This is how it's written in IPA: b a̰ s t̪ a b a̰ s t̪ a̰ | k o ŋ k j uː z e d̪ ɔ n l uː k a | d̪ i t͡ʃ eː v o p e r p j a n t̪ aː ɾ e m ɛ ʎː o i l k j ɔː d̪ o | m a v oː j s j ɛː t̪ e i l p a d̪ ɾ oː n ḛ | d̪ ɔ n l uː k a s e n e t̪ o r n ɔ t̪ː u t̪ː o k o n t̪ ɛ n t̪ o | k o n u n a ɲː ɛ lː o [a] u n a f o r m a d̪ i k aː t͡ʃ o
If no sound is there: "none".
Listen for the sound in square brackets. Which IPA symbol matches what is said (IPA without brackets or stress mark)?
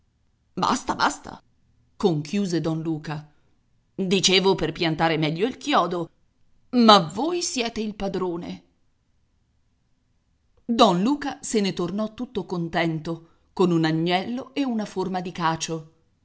e